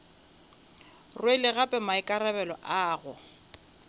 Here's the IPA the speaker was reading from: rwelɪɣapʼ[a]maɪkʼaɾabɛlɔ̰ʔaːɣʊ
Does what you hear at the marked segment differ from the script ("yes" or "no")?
yes